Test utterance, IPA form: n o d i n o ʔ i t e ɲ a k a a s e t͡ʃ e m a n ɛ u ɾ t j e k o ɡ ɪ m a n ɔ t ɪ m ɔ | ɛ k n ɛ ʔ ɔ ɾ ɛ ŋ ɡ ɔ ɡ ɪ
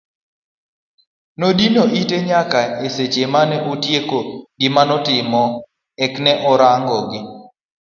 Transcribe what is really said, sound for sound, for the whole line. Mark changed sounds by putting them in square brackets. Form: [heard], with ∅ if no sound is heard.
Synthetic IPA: n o d i n o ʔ i t e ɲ a k a [e] s e t͡ʃ e m a n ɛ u [∅] t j e k o ɡ ɪ m a n ɔ t ɪ m ɔ | ɛ k n ɛ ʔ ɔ ɾ [a] ŋ ɡ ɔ ɡ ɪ